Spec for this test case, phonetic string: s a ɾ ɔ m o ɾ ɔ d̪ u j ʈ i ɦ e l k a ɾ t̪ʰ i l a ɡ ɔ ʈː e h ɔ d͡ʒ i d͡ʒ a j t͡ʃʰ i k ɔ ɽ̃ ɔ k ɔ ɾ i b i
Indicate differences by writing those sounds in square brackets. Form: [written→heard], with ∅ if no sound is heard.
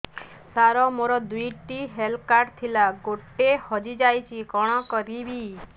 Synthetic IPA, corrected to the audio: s a ɾ ɔ m o ɾ ɔ d̪ u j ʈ i ɦ e l k a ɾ t̪ʰ i l a ɡ [ɔ→o] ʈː e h ɔ d͡ʒ i d͡ʒ a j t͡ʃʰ i k ɔ ɽ̃ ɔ k ɔ ɾ i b i